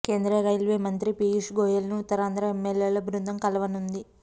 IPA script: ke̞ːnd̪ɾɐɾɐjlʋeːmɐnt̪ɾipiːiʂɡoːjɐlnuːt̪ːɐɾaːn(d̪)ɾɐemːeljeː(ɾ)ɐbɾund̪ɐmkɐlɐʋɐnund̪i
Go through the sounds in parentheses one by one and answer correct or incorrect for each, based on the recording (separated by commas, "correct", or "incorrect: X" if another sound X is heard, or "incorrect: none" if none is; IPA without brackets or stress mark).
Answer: correct, incorrect: l